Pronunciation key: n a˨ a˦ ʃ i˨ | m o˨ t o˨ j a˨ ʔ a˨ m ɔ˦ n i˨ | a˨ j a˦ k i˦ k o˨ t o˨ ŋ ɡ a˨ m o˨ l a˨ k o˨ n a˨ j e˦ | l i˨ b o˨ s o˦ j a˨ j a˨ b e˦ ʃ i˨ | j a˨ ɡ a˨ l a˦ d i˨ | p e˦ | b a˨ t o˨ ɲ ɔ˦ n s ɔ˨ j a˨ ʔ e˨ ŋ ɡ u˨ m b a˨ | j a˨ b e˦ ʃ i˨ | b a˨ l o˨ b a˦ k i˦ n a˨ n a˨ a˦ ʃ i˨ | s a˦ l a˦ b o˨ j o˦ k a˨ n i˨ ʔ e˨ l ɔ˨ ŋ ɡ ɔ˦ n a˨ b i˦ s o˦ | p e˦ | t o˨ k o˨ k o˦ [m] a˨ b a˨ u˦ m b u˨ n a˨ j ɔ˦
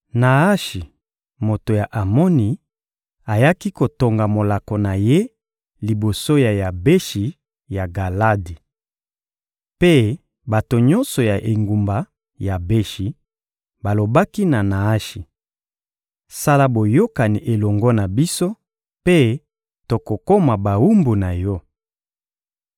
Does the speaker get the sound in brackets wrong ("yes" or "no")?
no